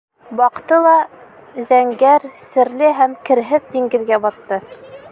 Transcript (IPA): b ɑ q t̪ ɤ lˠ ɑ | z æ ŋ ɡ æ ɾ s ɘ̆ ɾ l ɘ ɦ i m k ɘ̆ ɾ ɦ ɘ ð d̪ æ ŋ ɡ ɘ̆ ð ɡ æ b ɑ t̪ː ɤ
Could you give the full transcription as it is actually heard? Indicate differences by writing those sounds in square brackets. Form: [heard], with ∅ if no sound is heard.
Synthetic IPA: b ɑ q t̪ ɤ lˠ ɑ | z æ ŋ ɡ æ ɾ s ɘ̆ ɾ l ɘ ɦ [æ] m k ɘ̆ ɾ ɦ ɘ ð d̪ [i] ŋ ɡ ɘ̆ ð ɡ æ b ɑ t̪ː ɤ